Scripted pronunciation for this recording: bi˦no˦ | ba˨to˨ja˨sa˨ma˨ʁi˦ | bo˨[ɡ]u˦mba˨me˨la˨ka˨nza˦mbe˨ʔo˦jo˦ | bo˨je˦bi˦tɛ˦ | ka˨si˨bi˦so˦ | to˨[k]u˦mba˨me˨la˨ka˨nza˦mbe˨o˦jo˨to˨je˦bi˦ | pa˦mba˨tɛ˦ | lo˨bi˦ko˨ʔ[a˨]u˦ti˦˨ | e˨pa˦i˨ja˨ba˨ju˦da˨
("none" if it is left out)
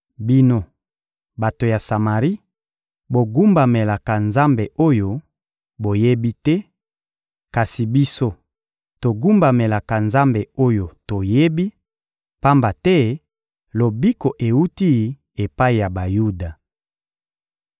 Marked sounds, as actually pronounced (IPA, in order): ɡ, ɡ, e˨

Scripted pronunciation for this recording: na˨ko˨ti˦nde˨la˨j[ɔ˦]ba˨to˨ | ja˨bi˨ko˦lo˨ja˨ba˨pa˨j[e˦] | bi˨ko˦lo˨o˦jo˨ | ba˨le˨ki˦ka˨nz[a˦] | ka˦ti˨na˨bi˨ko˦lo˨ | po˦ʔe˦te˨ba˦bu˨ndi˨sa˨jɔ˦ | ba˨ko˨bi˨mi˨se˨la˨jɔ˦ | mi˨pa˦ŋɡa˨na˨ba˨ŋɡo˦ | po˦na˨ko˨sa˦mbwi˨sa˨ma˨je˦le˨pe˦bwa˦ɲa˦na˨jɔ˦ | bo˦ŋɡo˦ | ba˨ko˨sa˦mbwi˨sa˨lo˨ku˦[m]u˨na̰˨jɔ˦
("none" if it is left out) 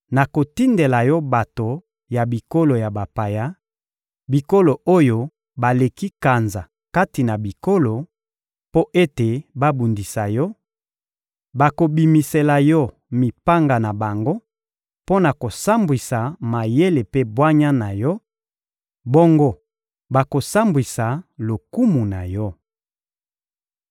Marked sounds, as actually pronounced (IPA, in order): ɔ˦, a˦, a˨, m

